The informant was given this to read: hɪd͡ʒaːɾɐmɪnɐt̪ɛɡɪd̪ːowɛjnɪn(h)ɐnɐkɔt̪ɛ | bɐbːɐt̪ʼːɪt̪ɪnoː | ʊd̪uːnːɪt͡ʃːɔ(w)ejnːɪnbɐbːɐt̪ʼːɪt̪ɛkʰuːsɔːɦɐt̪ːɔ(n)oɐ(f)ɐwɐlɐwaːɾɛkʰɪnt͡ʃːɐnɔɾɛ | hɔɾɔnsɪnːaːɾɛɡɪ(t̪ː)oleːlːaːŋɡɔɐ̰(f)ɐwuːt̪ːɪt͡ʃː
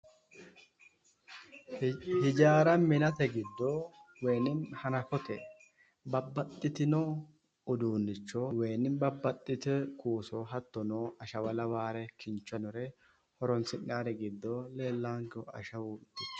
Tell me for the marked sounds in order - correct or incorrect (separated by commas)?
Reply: correct, correct, correct, incorrect, incorrect, incorrect